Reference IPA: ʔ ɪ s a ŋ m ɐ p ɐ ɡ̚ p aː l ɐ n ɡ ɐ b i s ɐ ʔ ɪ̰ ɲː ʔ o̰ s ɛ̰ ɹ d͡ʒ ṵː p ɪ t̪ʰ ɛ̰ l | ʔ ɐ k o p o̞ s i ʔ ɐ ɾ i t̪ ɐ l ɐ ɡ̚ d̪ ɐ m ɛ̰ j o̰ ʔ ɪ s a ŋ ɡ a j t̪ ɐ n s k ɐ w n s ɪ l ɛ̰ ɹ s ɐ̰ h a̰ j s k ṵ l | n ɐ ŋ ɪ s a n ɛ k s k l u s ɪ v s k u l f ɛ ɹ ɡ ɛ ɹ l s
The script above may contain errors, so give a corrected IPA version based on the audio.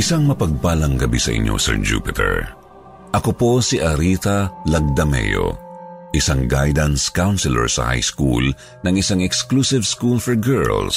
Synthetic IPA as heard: ʔ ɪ s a ŋ m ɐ p ɐ ɡ̚ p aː l ɐ ŋ ɡ ɐ b i s ɐ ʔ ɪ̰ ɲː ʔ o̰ s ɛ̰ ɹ d͡ʒ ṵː p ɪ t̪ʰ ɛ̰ ɹ | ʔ ɐ k o p o̞ s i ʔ ɐ ɾ i t̪ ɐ l ɐ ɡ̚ d̪ ɐ m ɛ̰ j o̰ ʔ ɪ s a ŋ ɡ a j d̪ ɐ n s k a w n s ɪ l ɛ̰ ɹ s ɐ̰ h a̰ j s k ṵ l | n ɐ ŋ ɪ s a ŋ ɛ k s k l u s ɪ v s k u l f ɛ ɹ ɡ ɛ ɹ l s